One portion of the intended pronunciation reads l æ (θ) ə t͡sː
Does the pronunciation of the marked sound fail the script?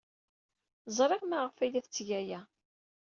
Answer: no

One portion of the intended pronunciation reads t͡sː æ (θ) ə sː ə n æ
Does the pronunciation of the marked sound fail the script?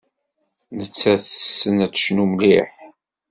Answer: no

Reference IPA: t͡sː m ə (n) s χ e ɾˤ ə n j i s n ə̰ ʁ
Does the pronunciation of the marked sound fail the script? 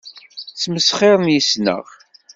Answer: yes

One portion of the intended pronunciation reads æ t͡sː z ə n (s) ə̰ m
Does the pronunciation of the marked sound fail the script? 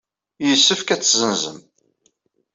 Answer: yes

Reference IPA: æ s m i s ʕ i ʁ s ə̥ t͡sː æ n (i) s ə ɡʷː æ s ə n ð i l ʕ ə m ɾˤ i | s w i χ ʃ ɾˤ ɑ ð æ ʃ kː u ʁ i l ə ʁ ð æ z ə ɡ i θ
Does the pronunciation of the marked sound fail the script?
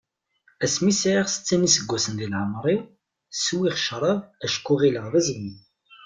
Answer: no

